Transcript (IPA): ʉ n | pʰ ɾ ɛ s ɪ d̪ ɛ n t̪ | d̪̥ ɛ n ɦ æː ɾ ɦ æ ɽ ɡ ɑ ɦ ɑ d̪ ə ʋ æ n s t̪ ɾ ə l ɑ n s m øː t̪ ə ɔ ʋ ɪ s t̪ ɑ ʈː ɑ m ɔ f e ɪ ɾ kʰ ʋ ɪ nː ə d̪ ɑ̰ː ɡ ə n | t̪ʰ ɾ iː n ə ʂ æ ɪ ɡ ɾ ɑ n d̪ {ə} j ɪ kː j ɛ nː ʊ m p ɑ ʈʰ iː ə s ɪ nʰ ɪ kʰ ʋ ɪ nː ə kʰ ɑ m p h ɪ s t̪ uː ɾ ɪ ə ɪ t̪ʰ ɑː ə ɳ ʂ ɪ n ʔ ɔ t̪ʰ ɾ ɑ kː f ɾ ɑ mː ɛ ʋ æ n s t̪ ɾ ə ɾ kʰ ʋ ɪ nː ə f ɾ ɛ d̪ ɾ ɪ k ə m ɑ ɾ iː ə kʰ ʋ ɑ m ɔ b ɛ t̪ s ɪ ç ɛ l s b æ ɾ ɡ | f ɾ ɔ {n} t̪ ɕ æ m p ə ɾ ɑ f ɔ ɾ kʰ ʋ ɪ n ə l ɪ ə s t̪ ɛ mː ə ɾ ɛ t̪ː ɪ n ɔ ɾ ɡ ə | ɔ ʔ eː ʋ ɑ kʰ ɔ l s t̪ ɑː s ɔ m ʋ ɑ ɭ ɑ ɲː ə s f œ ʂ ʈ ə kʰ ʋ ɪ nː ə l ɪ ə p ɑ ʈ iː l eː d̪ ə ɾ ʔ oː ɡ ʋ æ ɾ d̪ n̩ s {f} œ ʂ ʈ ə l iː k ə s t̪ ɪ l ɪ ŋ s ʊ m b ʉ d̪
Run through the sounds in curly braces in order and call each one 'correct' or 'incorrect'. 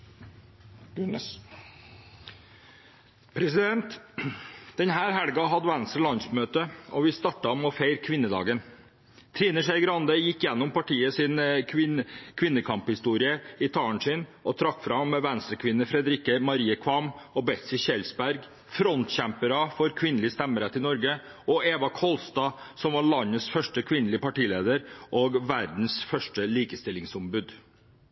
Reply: correct, correct, correct

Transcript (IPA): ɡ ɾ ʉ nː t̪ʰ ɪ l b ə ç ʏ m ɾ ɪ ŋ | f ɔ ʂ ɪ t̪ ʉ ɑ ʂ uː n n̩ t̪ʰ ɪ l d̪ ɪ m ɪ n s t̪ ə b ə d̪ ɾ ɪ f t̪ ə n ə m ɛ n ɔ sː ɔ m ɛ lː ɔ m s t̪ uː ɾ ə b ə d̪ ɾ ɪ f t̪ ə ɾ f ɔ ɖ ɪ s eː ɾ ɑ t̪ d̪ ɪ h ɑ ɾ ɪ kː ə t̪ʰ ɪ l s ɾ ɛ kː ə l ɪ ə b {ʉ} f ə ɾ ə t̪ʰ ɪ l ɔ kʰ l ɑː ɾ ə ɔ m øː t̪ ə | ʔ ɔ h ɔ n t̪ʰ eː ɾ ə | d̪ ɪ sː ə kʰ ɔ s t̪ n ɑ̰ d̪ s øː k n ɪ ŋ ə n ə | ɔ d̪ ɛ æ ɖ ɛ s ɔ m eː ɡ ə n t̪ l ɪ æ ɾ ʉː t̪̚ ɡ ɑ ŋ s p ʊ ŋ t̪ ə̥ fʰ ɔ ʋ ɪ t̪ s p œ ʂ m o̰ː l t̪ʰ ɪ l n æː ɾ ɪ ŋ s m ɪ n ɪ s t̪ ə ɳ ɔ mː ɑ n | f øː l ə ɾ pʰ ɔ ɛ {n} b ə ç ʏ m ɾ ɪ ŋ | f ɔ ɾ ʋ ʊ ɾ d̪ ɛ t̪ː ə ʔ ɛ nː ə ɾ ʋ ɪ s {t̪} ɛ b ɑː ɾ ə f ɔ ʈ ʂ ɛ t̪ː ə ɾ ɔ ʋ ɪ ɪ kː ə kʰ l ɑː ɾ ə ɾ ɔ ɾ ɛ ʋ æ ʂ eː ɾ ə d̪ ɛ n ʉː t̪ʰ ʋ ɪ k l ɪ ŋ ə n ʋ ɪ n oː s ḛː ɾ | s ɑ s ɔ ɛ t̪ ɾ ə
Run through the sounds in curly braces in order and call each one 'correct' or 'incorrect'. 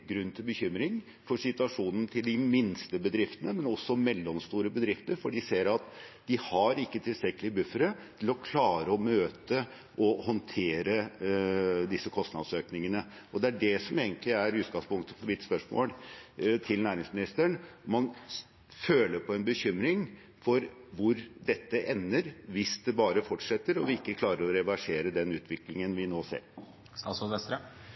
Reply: correct, correct, incorrect: d̪

